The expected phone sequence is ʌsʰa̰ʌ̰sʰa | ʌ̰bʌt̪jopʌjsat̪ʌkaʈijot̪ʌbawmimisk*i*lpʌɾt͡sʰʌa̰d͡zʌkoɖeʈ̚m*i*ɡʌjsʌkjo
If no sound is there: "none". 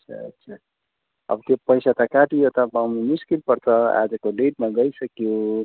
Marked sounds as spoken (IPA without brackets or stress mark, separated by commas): i, a